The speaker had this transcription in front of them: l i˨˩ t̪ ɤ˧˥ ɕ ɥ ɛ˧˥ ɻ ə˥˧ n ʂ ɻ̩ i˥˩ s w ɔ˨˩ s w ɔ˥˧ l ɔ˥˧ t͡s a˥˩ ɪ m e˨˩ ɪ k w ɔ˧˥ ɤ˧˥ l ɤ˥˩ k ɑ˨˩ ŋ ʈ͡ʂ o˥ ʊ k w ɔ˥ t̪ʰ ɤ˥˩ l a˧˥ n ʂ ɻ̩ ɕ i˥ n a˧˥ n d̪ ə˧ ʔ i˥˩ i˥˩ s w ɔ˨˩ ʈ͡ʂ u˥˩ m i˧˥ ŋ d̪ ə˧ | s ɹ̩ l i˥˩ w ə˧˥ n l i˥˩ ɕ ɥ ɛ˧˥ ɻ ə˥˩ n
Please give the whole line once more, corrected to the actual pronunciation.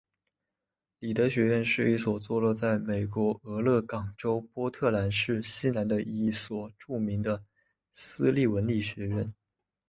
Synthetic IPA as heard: l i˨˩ t̪ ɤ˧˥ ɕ ɥ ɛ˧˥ ɻ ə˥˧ n ʂ ɻ̩ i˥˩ s w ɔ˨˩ t͡s w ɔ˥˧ l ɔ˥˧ t͡s a˥˩ ɪ m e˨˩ ɪ k w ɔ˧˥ ɤ˧˥ l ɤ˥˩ k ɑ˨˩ ŋ ʈ͡ʂ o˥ ʊ p w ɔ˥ t̪ʰ ɤ˥˩ l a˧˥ n ʂ ɻ̩ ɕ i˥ n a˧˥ n d̪ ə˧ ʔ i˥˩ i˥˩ s w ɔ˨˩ ʈ͡ʂ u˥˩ m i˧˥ ŋ d̪ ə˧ | s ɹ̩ l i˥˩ w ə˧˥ n l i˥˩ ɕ ɥ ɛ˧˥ ɻ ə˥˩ n

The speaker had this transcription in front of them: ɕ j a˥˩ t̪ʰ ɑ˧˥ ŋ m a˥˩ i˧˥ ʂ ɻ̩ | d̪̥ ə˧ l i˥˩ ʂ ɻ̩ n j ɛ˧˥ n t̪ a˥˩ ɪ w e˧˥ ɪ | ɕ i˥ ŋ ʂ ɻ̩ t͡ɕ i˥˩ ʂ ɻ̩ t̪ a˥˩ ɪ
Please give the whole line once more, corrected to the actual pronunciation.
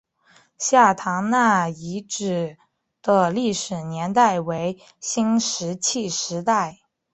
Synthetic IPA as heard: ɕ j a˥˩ t̪ʰ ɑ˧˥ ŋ n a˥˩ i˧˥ ʈ͡ʂ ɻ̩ | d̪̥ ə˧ l i˥˩ ʂ ɻ̩ n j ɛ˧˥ n t̪ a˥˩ ɪ w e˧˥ ɪ | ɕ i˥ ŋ ʂ ɻ̩ t͡ɕʰ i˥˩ ʂ ɻ̩ t̪ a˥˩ ɪ

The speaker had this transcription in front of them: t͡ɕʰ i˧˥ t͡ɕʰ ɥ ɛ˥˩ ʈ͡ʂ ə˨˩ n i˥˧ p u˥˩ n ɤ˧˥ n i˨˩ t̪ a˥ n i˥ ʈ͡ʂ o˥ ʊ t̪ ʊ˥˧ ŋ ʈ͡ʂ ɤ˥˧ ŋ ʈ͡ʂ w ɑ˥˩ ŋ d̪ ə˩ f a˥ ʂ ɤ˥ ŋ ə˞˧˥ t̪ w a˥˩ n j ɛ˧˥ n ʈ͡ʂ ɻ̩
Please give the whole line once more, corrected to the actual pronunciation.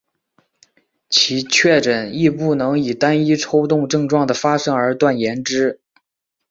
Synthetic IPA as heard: t͡ɕʰ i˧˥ t͡ɕʰ ɥ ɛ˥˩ ʈ͡ʂ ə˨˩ n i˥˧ p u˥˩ n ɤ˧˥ ŋ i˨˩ t̪ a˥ n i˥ ʈ͡ʂʰ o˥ ʊ t̪ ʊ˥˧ ŋ ʈ͡ʂ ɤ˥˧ ŋ ʈ͡ʂ w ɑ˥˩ ŋ d̪ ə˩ f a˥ ʂ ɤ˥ ŋ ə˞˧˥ t̪ w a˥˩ n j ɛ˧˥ n ʈ͡ʂ ɻ̩

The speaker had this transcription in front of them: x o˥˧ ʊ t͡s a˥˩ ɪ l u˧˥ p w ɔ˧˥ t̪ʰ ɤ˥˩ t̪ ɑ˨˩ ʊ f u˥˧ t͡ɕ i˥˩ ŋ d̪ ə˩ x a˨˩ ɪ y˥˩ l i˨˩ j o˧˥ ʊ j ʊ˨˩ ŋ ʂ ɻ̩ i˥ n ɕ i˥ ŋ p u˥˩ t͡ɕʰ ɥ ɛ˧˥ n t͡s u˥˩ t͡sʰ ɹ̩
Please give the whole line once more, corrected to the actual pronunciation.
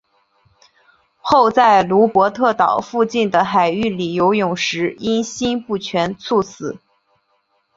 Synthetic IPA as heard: x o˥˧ ʊ t͡s a˥˩ ɪ l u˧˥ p w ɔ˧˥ t̪ʰ ɤ˥˩ t̪ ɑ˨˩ ʊ f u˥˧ t͡ɕ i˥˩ n d̪ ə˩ x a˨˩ ɪ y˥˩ l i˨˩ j o˧˥ ʊ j ʊ˨˩ ŋ ʂ ɻ̩ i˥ n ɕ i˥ n p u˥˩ t͡ɕʰ ɥ ɛ˧˥ n t͡sʰ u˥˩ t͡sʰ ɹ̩

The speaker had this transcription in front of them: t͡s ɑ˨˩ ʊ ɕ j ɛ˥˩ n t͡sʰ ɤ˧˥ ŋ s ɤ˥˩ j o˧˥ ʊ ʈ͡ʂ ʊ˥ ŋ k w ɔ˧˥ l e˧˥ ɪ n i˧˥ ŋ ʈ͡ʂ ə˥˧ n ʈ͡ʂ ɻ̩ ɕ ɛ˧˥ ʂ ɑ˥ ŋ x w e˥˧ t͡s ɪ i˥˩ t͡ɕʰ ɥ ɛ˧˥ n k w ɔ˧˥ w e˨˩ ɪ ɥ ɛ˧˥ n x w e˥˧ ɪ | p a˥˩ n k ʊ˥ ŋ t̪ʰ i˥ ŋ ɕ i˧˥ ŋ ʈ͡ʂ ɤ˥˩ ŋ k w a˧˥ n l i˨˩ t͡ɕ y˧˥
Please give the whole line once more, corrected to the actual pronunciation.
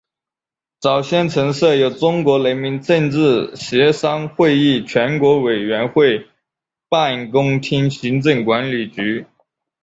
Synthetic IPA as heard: t͡s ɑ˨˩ ʊ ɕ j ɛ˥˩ n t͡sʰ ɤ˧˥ ŋ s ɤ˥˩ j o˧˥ ʊ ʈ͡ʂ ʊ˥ ŋ k w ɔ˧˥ l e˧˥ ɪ m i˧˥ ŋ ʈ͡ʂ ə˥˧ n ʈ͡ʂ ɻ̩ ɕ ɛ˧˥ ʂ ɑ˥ ŋ x w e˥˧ ɪ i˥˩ t͡ɕʰ ɥ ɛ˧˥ n k w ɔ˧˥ w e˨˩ ɪ ɥ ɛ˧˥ n x w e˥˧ ɪ | p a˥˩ n k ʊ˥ ŋ t̪ʰ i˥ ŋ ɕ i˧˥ ŋ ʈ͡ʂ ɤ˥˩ ŋ k w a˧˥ n l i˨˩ t͡ɕ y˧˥

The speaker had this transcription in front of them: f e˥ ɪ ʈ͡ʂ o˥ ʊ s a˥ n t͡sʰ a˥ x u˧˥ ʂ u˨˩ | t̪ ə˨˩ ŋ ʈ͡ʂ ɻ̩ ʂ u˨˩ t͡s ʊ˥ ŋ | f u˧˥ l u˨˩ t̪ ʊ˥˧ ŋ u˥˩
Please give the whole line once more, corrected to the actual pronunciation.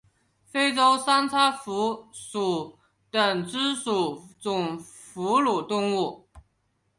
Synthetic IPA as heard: f e˥ ɪ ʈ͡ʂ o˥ ʊ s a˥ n t͡sʰ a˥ f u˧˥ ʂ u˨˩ | t̪ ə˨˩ ŋ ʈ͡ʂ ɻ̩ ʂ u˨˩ t͡s ʊ˨˩ ŋ | f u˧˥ l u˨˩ t̪ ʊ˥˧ ŋ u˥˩

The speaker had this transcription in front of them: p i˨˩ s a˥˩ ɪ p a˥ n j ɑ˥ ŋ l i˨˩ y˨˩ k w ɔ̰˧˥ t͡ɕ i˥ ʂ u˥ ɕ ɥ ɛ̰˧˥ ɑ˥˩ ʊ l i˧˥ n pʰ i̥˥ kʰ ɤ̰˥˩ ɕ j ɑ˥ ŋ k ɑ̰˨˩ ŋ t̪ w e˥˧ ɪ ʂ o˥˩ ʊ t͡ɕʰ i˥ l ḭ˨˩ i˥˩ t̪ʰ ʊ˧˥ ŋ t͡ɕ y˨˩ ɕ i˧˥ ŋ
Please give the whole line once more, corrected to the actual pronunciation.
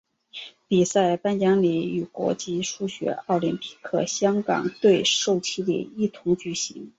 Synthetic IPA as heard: p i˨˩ s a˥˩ ɪ p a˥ n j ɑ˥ ŋ l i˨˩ y˨˩ k w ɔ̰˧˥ t͡ɕ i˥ ʂ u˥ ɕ ɥ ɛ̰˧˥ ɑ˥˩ ʊ l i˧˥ n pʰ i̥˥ kʰ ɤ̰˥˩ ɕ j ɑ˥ ŋ k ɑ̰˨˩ ŋ t̪ w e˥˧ ɪ ʂ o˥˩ ʊ t͡ɕʰ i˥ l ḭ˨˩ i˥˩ t̪ʰ ʊ˧˥ ŋ t͡ɕ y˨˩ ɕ i˧˥ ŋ

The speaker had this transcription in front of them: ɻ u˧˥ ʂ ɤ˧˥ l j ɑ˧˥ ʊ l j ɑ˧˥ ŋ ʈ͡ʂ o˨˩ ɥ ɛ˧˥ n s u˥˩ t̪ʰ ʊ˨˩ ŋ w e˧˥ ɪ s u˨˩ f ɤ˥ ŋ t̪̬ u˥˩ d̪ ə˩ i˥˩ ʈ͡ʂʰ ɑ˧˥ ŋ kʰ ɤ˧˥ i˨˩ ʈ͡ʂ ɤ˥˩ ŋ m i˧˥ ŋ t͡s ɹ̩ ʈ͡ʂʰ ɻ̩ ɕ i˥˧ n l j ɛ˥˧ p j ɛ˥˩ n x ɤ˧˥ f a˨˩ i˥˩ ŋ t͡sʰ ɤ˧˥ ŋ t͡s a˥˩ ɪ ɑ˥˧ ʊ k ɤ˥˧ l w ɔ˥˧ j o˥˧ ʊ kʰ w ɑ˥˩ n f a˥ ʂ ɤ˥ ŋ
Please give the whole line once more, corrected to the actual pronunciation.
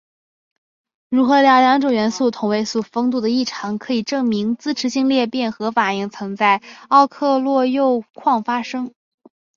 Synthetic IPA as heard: ɻ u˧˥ x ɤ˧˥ l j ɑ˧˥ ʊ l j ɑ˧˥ ŋ ʈ͡ʂ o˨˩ ɥ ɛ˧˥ n s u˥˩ t̪ʰ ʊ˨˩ ŋ w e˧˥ ɪ s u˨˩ f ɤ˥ ŋ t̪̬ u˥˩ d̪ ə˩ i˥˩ ʈ͡ʂʰ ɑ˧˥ ŋ kʰ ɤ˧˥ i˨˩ ʈ͡ʂ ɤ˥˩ ŋ m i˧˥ ŋ t͡s ɹ̩ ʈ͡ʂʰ ɻ̩ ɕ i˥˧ ŋ l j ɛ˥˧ p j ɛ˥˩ n x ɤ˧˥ f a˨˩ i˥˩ ŋ t͡sʰ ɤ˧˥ ŋ t͡s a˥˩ ɪ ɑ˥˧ ʊ kʰ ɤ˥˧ l w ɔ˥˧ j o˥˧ ʊ kʰ w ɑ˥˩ ŋ f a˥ ʂ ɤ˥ ŋ

